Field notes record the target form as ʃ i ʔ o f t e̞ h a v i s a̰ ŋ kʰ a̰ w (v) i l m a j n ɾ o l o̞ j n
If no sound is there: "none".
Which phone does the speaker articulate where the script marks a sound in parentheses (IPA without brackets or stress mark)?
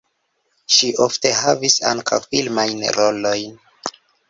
f